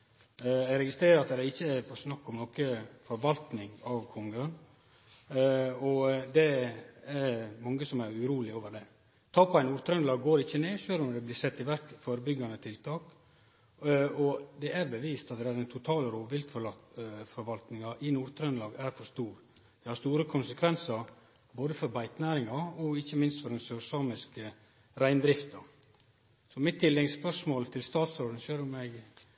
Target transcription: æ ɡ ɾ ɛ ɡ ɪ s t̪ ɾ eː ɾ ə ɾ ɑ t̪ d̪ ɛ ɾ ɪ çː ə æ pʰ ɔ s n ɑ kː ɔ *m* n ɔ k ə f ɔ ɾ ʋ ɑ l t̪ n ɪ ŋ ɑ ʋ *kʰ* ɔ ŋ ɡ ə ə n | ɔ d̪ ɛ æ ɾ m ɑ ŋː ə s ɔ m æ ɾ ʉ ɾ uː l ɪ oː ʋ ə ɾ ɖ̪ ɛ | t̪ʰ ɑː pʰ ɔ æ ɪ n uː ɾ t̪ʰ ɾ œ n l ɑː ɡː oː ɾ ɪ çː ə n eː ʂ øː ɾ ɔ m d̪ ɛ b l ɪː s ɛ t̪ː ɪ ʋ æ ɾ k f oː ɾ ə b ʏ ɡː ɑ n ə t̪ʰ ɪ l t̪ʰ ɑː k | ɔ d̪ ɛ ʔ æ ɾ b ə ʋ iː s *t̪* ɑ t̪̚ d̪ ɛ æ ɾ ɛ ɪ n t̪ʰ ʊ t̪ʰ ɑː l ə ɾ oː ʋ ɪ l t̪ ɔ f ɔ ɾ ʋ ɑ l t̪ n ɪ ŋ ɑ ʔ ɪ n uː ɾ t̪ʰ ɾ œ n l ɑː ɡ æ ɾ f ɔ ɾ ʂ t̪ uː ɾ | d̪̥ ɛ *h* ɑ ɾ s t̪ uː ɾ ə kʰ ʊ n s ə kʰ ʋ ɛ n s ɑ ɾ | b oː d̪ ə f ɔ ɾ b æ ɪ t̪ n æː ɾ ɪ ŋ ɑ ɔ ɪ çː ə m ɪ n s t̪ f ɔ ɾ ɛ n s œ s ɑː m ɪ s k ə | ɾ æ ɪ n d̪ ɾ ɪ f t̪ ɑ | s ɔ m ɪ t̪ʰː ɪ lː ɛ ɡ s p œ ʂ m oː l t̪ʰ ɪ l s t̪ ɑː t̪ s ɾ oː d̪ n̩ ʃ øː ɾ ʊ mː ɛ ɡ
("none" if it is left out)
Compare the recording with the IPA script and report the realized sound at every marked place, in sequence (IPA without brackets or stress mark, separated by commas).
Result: m, kʰ, t̪, h